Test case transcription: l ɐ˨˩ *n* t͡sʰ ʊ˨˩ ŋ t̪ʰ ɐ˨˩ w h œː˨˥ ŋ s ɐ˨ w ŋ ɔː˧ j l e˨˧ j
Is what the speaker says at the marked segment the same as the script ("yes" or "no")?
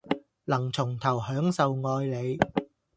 no